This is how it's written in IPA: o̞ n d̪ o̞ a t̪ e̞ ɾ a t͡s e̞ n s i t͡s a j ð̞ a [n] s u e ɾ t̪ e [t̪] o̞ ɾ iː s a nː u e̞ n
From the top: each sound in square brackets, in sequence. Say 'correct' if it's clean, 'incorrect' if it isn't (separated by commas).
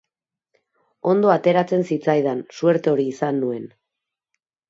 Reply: correct, incorrect